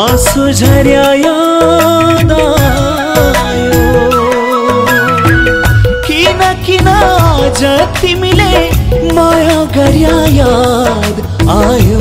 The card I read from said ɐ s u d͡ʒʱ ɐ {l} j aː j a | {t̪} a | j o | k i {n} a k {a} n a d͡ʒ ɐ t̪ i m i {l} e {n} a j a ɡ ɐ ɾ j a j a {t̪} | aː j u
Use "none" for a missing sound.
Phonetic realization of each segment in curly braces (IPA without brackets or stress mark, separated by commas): ɾ, d̪, n, i, l, m, d̪